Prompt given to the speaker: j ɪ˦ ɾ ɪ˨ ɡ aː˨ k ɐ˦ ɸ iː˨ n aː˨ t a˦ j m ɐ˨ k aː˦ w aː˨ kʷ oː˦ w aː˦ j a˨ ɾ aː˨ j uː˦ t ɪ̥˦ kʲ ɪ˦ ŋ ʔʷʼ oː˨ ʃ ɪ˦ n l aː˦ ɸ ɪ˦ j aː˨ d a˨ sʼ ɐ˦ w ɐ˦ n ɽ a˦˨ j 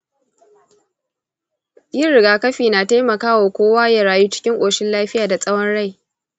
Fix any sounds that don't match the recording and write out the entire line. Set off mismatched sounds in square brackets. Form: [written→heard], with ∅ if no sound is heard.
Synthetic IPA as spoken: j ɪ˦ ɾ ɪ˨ ɡ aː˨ k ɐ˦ ɸ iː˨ n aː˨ t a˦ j m ɐ˨ k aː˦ w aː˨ kʷ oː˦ w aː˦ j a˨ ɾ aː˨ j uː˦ [t→t͡ʃ] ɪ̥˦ kʲ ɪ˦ ŋ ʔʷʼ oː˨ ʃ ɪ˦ n l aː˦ ɸ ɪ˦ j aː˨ d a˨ sʼ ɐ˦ w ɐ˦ n ɽ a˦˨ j

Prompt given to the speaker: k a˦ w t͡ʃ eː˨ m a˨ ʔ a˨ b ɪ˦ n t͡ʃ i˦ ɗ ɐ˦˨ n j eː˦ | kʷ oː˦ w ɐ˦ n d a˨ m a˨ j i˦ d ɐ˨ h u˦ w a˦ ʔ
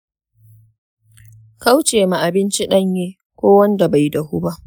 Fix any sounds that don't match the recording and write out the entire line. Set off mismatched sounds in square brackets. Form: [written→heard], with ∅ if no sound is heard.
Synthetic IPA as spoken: k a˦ w t͡ʃ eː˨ m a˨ ʔ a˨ b ɪ˦ n t͡ʃ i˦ ɗ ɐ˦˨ [n→ɲ] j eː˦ | kʷ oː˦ w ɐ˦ n d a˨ [m→b] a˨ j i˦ d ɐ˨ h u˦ [w→b] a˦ ʔ

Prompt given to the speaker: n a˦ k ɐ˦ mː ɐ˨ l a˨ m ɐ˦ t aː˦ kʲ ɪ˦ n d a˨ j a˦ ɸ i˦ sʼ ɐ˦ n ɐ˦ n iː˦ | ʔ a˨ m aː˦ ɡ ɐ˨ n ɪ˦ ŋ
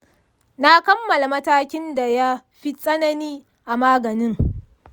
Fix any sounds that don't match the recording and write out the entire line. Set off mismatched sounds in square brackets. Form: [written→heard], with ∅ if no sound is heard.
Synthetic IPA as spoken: n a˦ k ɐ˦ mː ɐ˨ l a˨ m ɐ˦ t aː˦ kʲ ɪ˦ n d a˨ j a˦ ɸ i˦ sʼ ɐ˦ n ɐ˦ n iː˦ | ʔ a˨ m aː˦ ɡ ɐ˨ n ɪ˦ ŋ

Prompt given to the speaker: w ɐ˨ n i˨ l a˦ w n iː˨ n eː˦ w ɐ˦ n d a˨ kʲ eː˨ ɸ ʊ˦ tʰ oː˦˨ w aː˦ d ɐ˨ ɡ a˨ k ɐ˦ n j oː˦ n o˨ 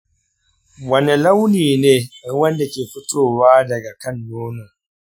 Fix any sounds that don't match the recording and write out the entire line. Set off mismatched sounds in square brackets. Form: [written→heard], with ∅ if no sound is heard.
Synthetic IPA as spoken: w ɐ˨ n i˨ l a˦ w n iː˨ n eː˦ w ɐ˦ n d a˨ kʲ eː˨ ɸ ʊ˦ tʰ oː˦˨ w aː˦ d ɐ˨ ɡ a˨ k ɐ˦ n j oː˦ n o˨

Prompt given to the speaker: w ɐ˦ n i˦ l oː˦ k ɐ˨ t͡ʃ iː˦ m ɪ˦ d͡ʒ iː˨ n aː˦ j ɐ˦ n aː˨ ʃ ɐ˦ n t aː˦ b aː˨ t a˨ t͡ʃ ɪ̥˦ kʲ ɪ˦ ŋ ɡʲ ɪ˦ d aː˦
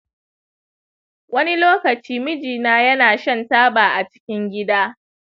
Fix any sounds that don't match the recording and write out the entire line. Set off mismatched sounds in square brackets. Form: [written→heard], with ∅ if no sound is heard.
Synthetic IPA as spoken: w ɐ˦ n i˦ l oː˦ k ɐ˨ t͡ʃ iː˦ m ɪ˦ d͡ʒ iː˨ n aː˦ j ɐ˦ n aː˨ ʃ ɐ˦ n t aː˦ b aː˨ [t→ʔ] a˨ t͡ʃ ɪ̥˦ kʲ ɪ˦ ŋ ɡʲ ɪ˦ d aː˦

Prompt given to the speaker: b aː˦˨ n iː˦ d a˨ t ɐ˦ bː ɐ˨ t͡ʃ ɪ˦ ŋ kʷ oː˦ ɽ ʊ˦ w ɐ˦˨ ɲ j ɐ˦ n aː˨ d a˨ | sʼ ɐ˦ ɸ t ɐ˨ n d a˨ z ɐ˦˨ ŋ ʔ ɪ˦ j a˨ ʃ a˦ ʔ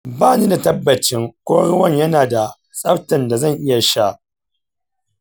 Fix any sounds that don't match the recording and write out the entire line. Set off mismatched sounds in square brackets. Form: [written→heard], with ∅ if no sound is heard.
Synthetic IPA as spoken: b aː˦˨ n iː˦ d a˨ t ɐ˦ bː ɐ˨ t͡ʃ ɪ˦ ŋ kʷ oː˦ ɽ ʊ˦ w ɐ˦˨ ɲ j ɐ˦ n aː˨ d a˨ | sʼ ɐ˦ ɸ t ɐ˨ n d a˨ z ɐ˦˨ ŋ ʔ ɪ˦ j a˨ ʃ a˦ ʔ

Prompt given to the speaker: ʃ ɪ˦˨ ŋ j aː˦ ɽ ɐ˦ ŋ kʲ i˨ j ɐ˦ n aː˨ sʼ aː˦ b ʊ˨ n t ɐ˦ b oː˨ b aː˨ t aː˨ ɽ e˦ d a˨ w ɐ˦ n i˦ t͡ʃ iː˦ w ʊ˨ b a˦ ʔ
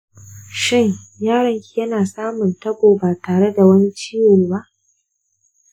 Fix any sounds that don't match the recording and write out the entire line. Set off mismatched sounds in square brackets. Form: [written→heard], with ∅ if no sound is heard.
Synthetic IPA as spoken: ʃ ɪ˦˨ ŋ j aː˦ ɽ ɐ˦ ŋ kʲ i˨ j ɐ˦ n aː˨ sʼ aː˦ [b→m] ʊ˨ n t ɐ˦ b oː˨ b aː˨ t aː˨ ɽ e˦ d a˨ w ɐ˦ n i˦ t͡ʃ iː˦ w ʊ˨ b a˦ ʔ

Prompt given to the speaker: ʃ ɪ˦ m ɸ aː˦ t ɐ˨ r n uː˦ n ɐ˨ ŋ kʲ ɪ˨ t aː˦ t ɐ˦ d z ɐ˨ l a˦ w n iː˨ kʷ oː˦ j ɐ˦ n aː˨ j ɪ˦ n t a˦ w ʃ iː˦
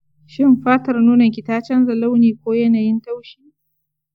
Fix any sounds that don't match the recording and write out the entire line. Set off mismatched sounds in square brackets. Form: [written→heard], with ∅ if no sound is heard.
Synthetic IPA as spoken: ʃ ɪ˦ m ɸ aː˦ t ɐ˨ r n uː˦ n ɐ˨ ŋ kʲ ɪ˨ t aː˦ [t→t͡ʃ] ɐ˦ [d→n] z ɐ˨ l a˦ w n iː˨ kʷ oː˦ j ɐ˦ n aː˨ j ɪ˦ n t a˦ w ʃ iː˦

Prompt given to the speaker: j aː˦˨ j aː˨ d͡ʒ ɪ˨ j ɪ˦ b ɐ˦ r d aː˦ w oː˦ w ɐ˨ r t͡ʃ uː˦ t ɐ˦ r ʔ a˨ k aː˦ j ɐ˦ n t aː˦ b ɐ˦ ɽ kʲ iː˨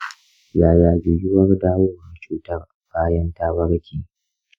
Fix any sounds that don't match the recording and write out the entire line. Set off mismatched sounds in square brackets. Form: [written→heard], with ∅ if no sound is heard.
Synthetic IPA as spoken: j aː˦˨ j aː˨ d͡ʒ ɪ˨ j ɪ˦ [b→w] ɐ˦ r d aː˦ w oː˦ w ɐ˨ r t͡ʃ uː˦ t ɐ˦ r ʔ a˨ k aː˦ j ɐ˦ n t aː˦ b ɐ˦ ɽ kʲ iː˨

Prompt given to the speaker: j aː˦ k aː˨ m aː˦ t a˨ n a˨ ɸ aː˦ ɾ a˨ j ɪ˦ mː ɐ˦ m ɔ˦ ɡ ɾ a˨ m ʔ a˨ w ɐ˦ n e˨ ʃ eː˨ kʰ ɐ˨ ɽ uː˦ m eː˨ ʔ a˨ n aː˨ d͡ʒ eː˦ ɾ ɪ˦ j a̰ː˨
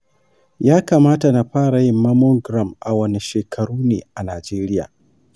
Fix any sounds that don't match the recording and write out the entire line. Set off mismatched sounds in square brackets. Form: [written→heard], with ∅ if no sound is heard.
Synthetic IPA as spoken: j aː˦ k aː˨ m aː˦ t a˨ n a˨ ɸ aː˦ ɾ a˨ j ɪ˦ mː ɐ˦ m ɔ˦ ɡ ɾ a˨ m ʔ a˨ w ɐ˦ n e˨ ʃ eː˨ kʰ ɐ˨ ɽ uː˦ [m→n] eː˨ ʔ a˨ n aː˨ d͡ʒ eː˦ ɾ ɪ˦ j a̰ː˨

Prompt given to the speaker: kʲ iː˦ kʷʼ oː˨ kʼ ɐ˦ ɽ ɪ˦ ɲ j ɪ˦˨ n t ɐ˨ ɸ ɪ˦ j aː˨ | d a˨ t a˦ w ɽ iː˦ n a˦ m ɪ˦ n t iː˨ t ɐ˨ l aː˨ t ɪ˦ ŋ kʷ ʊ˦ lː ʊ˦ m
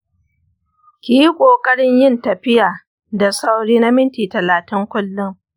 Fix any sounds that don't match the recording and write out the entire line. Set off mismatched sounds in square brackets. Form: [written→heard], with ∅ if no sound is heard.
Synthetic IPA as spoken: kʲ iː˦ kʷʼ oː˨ kʼ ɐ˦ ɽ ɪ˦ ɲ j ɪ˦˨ n t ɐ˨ ɸ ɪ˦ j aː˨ | d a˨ [t→s] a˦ w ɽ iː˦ n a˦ m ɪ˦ n t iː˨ t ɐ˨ l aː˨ t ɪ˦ ŋ kʷ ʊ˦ lː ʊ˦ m

